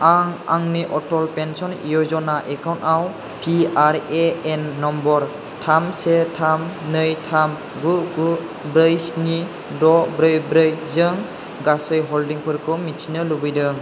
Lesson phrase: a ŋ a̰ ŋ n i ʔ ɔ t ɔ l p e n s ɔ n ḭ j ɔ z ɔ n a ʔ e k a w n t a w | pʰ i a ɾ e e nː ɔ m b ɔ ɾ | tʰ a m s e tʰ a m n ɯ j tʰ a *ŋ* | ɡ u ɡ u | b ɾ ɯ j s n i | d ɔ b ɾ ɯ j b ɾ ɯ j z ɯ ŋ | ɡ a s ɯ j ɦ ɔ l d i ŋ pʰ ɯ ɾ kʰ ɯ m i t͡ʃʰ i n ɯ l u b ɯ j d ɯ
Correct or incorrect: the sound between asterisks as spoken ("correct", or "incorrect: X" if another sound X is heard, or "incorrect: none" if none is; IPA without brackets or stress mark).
incorrect: m